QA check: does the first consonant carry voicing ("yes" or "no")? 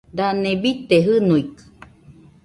yes